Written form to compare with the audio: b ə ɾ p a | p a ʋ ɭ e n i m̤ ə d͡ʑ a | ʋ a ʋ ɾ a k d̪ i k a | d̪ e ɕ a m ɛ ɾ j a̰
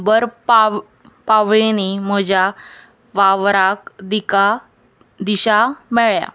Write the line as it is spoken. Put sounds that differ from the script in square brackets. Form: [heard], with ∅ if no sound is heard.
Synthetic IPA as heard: b ə ɾ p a | p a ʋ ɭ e n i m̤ ə d͡ʑ a | ʋ a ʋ ɾ a k d̪ i k a | d̪ [i] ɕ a m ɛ [ɭ] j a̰